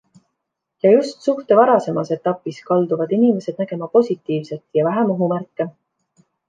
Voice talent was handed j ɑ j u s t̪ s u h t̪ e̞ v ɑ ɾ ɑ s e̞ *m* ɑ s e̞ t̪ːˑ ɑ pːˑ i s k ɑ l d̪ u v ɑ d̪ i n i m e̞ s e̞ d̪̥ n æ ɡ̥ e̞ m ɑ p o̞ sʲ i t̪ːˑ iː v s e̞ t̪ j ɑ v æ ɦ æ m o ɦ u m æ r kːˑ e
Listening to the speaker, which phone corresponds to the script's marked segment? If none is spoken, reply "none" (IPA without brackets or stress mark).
m